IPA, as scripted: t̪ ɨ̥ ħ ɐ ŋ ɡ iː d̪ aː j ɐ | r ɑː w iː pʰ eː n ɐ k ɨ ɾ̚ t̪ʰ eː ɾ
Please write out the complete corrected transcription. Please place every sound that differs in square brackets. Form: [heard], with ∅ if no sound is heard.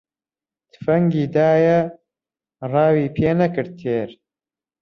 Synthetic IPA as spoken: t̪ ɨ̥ [f] ɐ ŋ ɡ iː d̪ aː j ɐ | r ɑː w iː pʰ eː n ɐ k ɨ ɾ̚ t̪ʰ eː ɾ